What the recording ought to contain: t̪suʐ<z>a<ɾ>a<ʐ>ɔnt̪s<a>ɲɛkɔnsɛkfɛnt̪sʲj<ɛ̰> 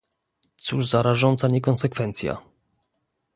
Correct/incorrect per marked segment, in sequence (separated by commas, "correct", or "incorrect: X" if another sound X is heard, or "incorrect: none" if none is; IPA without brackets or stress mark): correct, correct, correct, correct, incorrect: a̰